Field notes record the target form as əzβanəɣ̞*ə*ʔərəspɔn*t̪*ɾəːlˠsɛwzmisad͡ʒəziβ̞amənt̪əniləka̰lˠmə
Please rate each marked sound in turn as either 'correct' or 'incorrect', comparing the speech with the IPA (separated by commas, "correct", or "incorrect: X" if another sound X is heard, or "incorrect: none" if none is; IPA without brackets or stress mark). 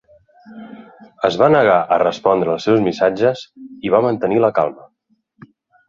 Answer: incorrect: a, incorrect: d̪